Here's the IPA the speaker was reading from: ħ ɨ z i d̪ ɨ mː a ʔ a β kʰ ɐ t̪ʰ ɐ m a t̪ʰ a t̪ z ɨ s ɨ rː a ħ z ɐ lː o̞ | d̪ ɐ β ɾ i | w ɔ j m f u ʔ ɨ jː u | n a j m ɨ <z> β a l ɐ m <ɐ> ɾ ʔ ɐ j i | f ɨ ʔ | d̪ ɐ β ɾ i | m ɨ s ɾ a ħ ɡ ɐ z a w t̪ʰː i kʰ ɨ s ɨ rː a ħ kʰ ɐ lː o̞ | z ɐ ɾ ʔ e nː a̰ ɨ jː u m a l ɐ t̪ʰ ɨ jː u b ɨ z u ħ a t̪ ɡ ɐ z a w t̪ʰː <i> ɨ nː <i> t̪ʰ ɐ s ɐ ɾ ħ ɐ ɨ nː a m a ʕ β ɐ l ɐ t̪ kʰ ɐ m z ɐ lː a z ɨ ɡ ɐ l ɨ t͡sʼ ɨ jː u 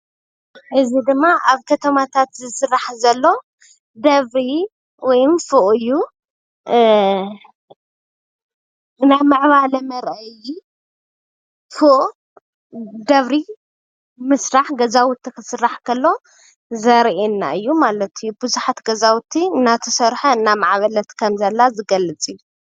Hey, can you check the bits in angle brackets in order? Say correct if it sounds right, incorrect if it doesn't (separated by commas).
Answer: incorrect, correct, correct, incorrect